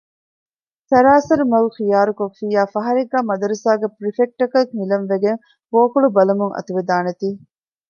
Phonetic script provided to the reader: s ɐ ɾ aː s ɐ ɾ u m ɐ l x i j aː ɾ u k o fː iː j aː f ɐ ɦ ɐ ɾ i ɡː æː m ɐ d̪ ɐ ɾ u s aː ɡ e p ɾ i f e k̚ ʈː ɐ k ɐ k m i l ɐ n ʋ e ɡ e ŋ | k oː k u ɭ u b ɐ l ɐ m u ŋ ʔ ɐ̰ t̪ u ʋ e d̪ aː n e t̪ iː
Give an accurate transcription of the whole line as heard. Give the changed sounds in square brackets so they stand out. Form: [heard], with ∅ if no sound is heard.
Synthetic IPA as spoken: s ɐ ɾ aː s ɐ ɾ u m ɐ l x i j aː ɾ u k o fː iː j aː f ɐ ɦ ɐ ɾ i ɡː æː m ɐ d̪ ɐ ɾ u s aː ɡ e p ɾ i f e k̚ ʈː ɐ k ɐ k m i l ɐ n ʋ e ɡ e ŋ | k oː k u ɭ u b ɐ l ɐ m u ŋ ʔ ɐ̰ t̪ u ʋ e d̪ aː n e t̪ iː